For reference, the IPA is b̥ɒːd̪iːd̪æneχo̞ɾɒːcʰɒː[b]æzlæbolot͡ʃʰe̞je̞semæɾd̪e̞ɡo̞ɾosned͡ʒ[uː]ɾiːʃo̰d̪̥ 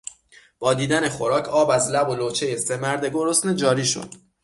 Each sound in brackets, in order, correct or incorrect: correct, incorrect

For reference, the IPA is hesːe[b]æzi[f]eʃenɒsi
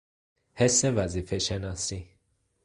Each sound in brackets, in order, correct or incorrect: incorrect, correct

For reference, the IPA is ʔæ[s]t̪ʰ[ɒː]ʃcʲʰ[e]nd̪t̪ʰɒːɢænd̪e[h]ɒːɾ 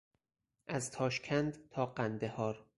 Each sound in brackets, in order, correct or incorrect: incorrect, correct, incorrect, correct

